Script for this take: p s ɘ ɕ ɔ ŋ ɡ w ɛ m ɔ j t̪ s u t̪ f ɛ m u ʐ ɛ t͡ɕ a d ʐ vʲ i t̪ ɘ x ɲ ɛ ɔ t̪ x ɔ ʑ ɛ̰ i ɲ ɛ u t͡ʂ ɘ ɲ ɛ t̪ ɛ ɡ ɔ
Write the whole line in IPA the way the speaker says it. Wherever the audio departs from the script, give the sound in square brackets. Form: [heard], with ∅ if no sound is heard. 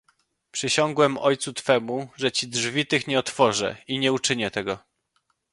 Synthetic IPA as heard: p [ʂ] ɘ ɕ ɔ ŋ ɡ w ɛ m ɔ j t̪ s u t̪ f ɛ m u ʐ ɛ t͡ɕ [i] d ʐ vʲ i t̪ ɘ x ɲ ɛ ɔ t̪ [f] ɔ [ʐ] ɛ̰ i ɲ ɛ u t͡ʂ ɘ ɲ ɛ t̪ ɛ ɡ ɔ